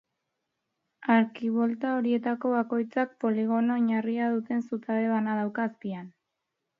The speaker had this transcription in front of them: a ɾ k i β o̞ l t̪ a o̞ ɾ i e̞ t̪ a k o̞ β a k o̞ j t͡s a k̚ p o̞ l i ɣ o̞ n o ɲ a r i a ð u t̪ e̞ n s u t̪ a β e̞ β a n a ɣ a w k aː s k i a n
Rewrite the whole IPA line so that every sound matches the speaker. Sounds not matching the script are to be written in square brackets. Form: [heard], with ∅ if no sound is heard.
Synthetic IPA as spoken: a ɾ k i β o̞ l t̪ a o̞ ɾ i e̞ t̪ a k o̞ β a k o̞ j t͡s a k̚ p o̞ l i ɣ o̞ n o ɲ a r i a ð u t̪ e̞ n s u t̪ a β e̞ β a n a [ð] a w k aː s [p] i a n